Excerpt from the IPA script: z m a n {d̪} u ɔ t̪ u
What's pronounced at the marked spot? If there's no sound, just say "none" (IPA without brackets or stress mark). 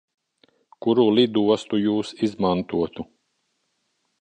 t̪